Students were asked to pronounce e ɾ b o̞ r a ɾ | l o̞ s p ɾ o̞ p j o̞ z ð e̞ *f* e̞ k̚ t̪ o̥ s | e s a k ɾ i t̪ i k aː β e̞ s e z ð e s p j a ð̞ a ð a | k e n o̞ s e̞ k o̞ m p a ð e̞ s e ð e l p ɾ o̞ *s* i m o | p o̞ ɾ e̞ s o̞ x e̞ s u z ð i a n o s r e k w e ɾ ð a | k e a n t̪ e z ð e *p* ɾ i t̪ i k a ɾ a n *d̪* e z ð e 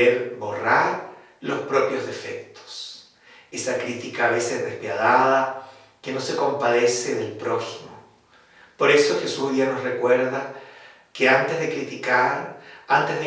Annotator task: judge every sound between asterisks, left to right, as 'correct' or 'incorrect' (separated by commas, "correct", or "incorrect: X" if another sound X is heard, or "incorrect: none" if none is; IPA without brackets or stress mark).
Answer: correct, incorrect: x, incorrect: k, incorrect: t̪